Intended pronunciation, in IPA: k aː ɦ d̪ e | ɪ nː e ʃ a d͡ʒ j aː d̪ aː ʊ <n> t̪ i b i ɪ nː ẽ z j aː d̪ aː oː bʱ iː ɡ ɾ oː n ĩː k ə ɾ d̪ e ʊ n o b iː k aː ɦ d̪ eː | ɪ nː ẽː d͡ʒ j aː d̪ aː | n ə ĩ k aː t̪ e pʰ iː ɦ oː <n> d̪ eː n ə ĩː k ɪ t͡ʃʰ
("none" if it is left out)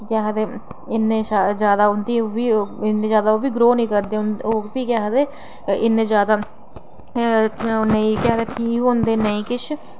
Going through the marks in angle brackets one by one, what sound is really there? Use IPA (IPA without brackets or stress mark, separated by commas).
n, n